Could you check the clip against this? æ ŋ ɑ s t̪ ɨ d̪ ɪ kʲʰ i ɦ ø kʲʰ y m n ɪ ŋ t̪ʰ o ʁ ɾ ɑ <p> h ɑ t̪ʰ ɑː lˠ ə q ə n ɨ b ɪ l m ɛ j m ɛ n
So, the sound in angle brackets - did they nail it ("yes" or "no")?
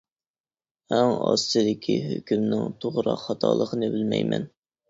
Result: no